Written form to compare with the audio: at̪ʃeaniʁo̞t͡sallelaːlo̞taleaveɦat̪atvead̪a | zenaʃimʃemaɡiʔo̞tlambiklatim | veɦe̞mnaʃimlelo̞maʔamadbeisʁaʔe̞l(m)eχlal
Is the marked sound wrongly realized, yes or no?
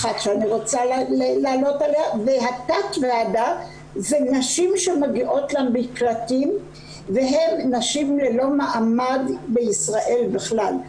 yes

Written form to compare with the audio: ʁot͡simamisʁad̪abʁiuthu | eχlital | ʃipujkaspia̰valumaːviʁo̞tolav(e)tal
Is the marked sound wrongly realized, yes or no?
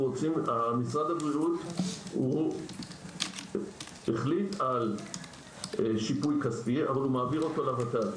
yes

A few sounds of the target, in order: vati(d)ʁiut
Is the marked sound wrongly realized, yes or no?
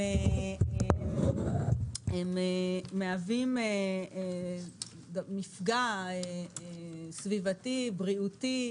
yes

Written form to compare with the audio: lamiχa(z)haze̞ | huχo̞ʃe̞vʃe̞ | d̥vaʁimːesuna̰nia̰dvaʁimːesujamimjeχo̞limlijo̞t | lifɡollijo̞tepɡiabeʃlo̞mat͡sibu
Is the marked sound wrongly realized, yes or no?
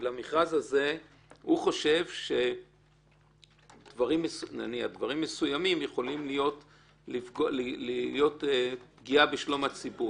no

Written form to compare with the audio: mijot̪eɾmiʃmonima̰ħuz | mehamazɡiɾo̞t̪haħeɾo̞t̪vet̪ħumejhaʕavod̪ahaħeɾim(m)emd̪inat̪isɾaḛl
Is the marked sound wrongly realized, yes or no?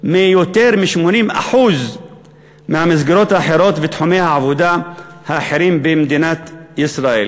yes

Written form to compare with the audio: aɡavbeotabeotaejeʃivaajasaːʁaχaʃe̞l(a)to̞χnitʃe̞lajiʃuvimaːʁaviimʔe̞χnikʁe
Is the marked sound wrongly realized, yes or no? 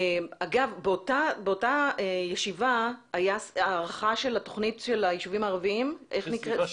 no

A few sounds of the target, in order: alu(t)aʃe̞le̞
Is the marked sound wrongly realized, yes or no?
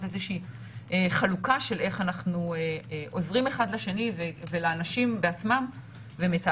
yes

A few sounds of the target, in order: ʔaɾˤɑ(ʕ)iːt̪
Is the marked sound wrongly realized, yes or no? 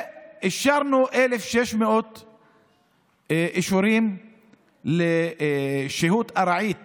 no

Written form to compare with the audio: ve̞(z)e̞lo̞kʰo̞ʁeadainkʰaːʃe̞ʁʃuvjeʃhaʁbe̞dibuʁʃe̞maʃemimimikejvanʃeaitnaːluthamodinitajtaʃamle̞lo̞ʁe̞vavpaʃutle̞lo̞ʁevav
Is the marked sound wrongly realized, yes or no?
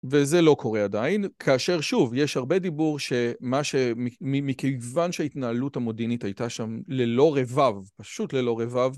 no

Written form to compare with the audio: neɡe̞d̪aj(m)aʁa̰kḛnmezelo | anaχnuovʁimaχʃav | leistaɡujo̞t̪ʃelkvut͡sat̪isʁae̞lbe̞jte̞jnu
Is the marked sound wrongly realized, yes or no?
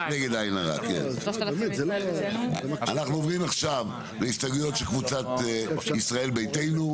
yes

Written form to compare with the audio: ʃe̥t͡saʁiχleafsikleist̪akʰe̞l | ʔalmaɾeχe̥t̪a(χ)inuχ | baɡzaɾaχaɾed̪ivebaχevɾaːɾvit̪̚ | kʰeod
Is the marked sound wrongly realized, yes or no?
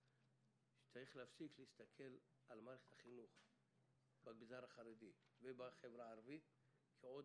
no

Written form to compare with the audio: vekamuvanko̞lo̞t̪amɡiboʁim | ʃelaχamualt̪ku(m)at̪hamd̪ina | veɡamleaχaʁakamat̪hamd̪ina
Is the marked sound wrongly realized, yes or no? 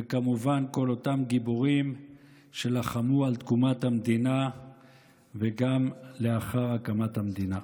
no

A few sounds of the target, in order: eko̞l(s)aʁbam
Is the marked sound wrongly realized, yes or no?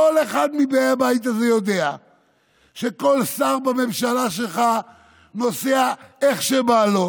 no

